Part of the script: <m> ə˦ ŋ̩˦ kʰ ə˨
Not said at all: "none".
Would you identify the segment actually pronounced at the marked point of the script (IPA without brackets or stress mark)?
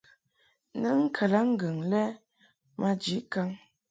n